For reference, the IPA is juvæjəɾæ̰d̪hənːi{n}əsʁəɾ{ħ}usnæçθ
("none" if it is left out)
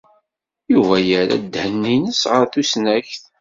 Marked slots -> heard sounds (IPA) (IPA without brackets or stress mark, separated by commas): n, θ